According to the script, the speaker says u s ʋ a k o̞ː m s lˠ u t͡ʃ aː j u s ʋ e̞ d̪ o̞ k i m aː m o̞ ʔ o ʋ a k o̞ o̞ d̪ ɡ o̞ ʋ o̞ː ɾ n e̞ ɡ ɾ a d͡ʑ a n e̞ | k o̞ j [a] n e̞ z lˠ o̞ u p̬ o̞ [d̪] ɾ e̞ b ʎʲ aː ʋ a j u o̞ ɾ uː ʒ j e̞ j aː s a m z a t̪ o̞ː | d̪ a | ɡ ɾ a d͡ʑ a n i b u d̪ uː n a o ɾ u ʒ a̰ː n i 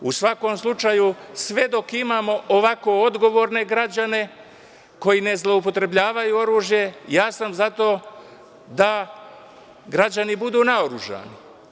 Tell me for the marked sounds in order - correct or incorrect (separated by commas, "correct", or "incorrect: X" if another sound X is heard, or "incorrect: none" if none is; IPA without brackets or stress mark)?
incorrect: i, incorrect: t̪